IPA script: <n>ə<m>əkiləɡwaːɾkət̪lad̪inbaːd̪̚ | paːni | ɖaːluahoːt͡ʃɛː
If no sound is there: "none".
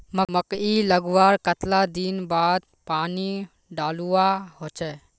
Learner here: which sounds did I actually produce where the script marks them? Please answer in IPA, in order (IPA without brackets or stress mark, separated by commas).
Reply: m, m